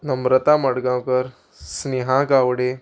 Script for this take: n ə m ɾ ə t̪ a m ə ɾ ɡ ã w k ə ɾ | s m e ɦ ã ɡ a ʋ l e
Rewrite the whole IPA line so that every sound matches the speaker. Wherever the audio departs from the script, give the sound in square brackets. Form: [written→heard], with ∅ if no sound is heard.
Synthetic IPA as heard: n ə m ɾ ə t̪ a m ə [ɾ→ɽ] ɡ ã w k ə ɾ | s [m→n] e ɦ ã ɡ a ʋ [l→ɽ] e